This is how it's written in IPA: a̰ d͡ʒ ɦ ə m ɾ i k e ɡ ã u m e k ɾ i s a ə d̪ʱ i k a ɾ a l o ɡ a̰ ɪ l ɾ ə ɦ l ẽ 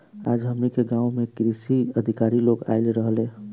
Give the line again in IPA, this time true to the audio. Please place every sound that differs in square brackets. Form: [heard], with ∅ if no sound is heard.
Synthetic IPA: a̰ d͡ʒ ɦ ə m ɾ i k e ɡ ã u m e k ɾ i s [i] ə d̪ʱ i k a ɾ [i] l o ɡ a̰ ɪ l ɾ ə ɦ l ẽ

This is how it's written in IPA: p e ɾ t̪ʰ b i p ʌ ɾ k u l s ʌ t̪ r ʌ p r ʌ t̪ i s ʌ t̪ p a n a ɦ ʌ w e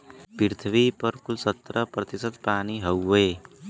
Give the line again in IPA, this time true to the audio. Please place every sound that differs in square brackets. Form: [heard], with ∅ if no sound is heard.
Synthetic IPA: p [i] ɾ t̪ʰ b i p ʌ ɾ k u l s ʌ t̪ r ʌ p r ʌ t̪ i s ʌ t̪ p a n [i] ɦ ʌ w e

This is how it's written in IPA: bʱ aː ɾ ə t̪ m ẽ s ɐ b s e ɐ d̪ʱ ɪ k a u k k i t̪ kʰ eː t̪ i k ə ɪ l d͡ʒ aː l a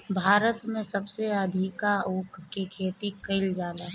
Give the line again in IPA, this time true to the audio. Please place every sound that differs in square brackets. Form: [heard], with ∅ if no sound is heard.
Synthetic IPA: bʱ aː ɾ ə t̪ m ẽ s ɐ b s e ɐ d̪ʱ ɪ k a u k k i [∅] kʰ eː t̪ i k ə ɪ l d͡ʒ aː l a

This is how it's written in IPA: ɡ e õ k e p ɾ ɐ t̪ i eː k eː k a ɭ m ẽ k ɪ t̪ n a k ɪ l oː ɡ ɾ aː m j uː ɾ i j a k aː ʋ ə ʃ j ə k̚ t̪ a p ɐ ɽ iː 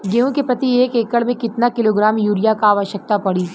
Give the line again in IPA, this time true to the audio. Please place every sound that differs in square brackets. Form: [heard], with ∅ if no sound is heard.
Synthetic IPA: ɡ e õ k e p ɾ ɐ t̪ i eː k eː k [ə] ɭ m ẽ k ɪ t̪ n a k ɪ l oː ɡ ɾ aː m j uː ɾ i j a k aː ʋ ə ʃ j ə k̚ t̪ a p ɐ ɽ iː

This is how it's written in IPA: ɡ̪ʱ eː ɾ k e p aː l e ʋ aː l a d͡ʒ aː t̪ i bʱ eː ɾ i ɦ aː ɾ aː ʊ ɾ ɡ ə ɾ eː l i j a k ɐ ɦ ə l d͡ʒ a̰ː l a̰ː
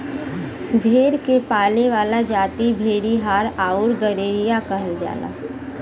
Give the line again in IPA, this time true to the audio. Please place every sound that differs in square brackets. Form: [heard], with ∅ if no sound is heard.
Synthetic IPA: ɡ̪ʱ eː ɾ k e p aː l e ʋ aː l a d͡ʒ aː t̪ i bʱ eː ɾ i ɦ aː ɾ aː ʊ ɾ ɡ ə ɾ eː [ɾ] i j a k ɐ ɦ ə l d͡ʒ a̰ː l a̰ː

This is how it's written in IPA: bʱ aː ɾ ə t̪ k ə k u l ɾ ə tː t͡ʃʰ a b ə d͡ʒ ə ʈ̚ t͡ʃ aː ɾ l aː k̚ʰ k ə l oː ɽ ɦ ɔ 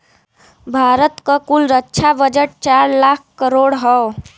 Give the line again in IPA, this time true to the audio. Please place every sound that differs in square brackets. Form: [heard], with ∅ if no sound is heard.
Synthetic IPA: bʱ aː ɾ ə t̪ k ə k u l ɾ ə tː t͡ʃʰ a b ə d͡ʒ ə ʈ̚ t͡ʃ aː ɾ l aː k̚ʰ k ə [ɾ] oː ɽ ɦ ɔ

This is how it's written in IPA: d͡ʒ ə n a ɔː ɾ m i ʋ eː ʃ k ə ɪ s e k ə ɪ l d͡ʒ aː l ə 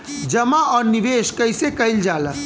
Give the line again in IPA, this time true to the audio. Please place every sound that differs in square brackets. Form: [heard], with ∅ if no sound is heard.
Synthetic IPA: d͡ʒ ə [m] a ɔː ɾ [n] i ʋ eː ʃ k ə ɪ s e k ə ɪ l d͡ʒ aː l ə

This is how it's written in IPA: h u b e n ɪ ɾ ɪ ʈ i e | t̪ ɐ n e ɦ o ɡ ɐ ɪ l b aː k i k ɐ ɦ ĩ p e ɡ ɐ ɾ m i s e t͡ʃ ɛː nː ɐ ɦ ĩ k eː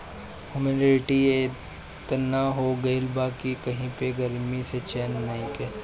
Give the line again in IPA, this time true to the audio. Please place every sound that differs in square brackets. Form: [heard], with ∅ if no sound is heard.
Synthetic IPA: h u [m] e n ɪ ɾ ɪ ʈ i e | t̪ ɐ n [a] ɦ o ɡ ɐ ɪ l b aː k i k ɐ ɦ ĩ p e ɡ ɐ ɾ m i s e t͡ʃ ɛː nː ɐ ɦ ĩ k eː

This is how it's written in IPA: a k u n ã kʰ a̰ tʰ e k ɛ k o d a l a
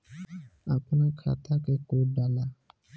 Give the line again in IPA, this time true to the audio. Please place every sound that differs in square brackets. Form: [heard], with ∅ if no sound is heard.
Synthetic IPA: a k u n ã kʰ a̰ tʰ [a] k ɛ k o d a l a

